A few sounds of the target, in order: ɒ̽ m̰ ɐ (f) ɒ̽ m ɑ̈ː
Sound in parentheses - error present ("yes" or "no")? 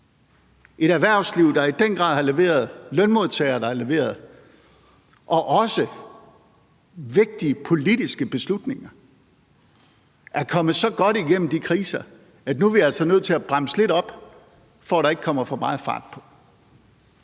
no